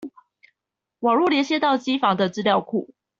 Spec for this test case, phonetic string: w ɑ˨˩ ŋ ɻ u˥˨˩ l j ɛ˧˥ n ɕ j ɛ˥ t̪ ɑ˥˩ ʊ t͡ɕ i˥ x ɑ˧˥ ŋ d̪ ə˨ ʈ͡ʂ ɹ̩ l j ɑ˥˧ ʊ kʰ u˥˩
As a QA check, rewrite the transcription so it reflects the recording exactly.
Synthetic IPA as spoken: w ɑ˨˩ ŋ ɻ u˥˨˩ l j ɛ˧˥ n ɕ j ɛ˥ t̪ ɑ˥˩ ʊ t͡ɕ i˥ f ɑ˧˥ ŋ d̪ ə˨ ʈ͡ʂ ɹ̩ l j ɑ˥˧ ʊ kʰ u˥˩